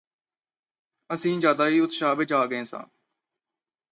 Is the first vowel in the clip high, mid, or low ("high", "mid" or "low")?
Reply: mid